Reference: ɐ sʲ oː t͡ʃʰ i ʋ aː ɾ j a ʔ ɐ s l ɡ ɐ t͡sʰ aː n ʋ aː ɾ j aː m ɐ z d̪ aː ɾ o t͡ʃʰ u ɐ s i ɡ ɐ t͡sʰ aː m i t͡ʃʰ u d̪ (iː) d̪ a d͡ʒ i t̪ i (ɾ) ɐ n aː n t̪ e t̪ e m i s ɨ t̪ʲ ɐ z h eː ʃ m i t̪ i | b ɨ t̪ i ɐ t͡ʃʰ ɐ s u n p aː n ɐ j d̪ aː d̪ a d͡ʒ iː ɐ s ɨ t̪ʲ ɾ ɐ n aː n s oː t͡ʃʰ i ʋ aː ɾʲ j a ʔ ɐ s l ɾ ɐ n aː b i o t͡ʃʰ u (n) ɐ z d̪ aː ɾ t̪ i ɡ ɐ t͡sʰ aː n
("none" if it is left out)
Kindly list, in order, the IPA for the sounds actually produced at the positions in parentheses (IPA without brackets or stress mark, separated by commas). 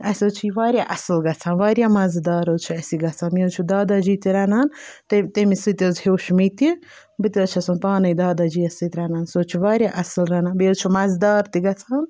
aː, ɾ, m